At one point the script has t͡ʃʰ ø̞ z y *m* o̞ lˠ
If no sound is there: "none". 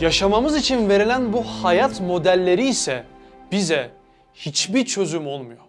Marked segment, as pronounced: m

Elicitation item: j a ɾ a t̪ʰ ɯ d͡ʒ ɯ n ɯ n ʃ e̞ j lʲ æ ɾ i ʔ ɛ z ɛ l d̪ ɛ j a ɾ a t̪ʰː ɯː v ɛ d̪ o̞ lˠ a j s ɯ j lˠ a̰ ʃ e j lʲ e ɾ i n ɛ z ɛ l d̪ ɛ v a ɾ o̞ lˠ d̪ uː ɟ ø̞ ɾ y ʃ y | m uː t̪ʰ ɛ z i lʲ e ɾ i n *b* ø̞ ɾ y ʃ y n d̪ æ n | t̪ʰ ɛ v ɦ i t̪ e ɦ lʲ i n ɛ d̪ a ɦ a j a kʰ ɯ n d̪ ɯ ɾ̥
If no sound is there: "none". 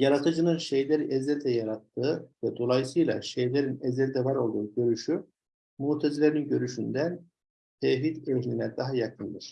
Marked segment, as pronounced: ɟ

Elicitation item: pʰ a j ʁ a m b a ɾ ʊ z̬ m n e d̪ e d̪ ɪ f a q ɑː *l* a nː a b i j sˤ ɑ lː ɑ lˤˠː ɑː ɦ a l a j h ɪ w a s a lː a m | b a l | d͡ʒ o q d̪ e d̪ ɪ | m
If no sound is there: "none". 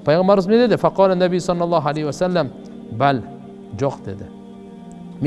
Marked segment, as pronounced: l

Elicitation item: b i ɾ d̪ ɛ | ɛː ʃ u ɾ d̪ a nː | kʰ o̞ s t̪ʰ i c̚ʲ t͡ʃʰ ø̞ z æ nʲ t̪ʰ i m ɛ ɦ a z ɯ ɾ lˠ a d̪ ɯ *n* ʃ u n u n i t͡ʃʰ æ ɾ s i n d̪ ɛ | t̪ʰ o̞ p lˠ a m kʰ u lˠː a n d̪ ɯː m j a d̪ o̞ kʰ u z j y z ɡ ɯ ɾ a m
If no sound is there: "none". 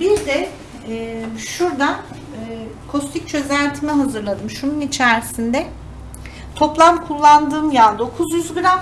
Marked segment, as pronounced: m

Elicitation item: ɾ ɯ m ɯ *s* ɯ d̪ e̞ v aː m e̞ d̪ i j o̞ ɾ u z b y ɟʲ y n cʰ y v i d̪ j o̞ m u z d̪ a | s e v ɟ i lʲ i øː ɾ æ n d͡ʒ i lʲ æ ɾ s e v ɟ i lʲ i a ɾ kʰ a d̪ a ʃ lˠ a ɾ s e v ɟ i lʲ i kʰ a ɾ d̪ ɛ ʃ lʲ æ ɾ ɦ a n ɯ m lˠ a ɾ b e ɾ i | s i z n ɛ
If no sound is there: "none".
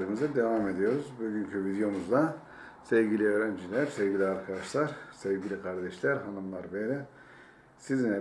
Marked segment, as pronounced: z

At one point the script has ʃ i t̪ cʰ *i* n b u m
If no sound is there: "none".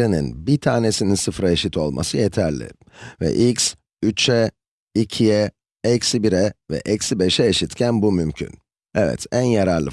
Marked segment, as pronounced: æ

